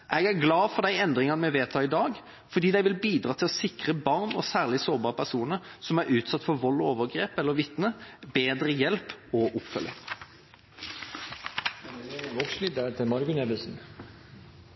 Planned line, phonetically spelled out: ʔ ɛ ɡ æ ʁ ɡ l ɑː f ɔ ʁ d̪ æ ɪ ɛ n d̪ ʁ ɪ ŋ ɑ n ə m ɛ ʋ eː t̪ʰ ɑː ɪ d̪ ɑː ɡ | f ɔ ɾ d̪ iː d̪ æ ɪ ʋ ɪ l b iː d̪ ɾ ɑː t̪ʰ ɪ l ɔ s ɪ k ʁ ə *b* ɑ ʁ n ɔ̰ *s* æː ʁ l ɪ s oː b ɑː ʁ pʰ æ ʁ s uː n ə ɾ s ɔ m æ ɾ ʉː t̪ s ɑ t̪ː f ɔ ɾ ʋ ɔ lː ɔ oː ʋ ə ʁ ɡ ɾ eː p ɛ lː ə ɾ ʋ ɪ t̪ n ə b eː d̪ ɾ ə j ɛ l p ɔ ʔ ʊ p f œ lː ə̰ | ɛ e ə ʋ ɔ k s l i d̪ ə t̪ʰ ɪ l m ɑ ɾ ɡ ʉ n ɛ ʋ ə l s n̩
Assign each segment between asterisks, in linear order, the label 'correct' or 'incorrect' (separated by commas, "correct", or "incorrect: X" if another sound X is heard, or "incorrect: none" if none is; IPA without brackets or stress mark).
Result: correct, correct